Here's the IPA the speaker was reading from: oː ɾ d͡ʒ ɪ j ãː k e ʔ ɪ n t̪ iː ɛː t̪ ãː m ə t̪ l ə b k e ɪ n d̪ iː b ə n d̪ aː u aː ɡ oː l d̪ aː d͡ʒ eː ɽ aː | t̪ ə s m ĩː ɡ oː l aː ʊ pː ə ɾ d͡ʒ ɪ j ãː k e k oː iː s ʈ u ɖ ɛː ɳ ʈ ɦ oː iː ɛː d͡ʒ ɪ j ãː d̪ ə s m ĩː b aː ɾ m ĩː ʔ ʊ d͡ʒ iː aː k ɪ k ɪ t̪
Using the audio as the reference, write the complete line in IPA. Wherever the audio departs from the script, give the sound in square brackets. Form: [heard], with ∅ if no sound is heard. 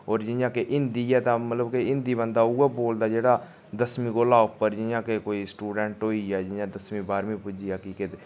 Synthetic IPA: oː ɾ d͡ʒ ɪ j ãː k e ʔ ɪ n [d̪] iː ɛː t̪ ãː m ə t̪ l ə b k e ɪ n d̪ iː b ə n d̪ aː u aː [b] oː l d̪ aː d͡ʒ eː ɽ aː | [d̪] ə s m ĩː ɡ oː l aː ʊ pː ə ɾ d͡ʒ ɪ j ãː k e k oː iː s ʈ [uː] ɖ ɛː ɳ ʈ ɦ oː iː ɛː d͡ʒ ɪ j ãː d̪ ə s m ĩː b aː ɾ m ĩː [p] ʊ d͡ʒ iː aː k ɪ k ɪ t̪

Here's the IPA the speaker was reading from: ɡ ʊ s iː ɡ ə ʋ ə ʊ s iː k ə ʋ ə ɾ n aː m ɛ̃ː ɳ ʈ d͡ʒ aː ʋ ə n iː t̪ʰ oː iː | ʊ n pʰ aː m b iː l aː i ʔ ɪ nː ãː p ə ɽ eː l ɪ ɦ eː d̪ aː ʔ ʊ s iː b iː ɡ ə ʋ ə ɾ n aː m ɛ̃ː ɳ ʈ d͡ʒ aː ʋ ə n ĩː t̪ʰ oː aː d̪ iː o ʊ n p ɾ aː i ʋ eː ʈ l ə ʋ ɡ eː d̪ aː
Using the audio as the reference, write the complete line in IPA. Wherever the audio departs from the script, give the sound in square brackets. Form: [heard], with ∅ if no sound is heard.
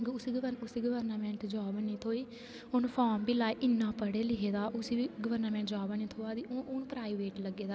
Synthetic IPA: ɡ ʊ s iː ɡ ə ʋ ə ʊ s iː [ɡ] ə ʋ ə ɾ n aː m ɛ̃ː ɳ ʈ d͡ʒ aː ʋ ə n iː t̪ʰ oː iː | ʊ n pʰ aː m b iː l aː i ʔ ɪ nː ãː p ə ɽ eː l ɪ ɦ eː d̪ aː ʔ ʊ s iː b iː ɡ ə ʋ ə ɾ n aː m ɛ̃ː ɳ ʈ d͡ʒ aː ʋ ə n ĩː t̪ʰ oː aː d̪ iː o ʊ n p ɾ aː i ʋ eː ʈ l ə [∅] ɡ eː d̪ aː

